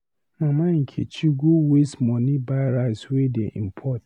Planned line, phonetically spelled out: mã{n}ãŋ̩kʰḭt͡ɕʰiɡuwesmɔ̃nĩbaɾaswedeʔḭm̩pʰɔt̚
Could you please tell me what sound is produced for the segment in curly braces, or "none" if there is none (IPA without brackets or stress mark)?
m